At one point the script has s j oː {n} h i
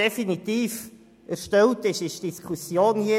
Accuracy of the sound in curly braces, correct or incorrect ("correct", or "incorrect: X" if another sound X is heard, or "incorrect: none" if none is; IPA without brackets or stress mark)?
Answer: correct